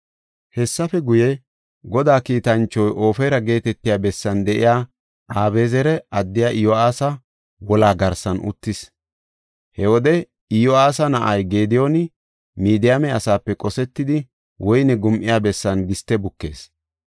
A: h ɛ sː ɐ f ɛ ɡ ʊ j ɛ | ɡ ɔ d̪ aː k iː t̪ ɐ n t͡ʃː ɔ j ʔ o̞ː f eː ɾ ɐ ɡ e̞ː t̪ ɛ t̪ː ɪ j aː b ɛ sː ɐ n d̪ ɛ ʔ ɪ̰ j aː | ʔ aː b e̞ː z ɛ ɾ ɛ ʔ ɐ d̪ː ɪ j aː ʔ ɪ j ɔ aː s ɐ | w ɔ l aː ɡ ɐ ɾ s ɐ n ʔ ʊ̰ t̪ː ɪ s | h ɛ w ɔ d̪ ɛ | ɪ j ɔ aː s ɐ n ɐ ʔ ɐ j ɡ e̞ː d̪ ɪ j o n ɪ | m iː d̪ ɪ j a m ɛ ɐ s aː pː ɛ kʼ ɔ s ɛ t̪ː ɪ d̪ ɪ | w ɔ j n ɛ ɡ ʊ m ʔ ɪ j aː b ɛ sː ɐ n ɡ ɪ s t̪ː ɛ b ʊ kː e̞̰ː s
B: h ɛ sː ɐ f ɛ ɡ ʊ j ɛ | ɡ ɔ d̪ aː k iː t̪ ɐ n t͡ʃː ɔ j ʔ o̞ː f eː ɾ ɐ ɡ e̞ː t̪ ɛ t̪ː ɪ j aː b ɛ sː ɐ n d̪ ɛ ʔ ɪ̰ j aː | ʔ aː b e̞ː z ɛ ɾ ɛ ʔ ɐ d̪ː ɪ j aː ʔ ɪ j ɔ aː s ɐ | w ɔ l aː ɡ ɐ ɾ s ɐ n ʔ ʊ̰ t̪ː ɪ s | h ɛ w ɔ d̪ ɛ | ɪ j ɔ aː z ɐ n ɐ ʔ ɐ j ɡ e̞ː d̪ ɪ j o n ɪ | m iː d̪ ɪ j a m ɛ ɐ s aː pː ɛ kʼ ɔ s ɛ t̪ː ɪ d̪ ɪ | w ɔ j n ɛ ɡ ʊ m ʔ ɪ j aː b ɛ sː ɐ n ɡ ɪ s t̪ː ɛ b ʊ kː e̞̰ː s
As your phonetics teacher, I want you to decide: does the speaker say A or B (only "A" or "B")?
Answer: A